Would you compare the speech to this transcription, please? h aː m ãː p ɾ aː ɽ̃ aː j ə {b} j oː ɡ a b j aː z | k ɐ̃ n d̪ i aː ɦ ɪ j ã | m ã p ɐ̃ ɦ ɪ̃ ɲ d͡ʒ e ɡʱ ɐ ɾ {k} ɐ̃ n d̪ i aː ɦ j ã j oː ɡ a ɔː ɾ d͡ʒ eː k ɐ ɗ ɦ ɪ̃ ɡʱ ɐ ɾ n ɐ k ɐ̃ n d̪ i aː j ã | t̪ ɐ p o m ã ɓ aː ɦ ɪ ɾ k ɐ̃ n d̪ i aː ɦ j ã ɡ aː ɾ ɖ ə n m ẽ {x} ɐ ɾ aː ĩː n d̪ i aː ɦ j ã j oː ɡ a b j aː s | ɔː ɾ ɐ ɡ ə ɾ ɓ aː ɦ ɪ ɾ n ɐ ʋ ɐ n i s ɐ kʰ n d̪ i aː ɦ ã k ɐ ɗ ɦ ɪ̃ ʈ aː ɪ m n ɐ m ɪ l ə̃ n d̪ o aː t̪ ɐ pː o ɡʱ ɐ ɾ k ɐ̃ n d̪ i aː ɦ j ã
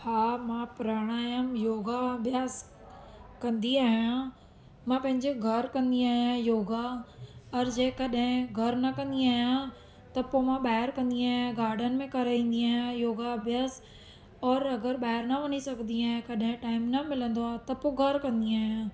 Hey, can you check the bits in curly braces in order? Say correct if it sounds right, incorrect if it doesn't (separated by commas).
incorrect, correct, incorrect